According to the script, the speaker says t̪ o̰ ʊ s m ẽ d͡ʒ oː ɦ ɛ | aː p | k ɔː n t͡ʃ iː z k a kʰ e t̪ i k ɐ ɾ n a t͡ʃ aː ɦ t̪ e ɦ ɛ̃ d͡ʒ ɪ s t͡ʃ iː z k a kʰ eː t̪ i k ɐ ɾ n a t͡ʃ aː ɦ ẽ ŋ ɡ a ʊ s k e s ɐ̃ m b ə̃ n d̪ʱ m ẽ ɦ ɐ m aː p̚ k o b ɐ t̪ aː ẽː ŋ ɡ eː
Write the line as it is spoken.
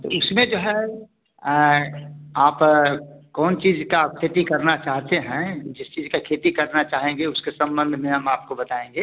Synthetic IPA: t̪ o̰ ʊ s m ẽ d͡ʒ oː ɦ ɛ | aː p | k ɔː n t͡ʃ iː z k a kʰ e t̪ i k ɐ ɾ n a t͡ʃ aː ɦ t̪ e ɦ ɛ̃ d͡ʒ ɪ s t͡ʃ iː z k a kʰ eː t̪ i k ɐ ɾ n a t͡ʃ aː ɦ ẽ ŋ ɡ e ʊ s k e s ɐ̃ m b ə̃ n d̪ʱ m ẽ ɦ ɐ m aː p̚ k o b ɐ t̪ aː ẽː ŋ ɡ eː